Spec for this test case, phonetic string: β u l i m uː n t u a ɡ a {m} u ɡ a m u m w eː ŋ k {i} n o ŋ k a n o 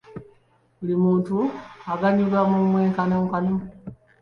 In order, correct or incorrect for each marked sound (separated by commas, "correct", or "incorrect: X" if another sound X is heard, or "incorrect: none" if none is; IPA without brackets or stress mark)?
incorrect: ɲ, incorrect: a